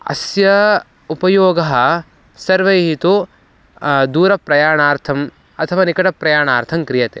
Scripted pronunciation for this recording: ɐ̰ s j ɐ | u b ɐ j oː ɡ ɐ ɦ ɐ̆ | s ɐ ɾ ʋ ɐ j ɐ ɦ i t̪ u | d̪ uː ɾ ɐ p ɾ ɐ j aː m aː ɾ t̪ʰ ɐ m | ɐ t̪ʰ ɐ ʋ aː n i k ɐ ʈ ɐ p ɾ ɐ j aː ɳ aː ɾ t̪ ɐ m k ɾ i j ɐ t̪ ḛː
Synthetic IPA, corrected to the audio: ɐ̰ s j ɐ | u p ɐ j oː ɡ ɐ ɦ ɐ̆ | s ɐ ɾ ʋ ɐ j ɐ ɦ i t̪ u | d̪ uː ɾ ɐ p ɾ ɐ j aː ɳ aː ɾ t̪ʰ ɐ m | ɐ t̪ʰ ɐ ʋ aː n i k ɐ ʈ ɐ p ɾ ɐ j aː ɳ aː ɾ t̪ʰ ɐ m k ɾ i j ɐ t̪ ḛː